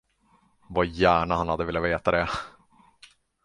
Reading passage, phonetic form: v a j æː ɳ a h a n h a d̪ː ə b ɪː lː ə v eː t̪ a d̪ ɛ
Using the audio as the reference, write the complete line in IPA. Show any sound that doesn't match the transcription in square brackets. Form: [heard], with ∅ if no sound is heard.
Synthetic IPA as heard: v a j æː ɳ a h a n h a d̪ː ə [v] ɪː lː [a] v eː t̪ a d̪ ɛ